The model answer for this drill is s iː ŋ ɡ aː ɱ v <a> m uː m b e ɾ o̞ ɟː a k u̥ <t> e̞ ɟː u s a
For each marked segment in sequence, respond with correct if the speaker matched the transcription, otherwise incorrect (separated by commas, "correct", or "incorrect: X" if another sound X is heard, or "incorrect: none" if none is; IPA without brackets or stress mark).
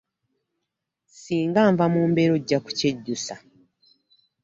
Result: correct, incorrect: c